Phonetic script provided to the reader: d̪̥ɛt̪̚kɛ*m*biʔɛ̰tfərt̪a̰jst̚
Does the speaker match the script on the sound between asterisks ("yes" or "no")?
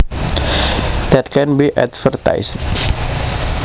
no